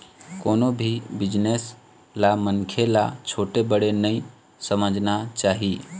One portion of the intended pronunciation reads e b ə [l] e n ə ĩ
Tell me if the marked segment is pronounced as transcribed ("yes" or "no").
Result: no